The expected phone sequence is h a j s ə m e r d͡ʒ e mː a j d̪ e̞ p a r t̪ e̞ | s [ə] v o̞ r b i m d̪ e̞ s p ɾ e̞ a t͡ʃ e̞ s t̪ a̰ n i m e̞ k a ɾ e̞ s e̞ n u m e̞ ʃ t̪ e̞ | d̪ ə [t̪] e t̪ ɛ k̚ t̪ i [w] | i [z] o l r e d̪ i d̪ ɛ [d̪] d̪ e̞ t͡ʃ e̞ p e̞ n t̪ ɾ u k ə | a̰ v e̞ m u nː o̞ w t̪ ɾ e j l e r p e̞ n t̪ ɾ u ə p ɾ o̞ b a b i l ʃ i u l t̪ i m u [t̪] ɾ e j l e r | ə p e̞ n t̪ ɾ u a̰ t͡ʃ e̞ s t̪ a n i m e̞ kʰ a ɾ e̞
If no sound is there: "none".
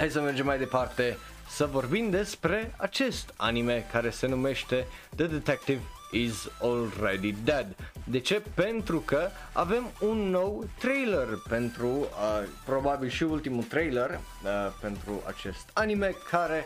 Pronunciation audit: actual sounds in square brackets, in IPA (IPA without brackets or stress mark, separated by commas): ə, d̪, v, z, d̪, t̪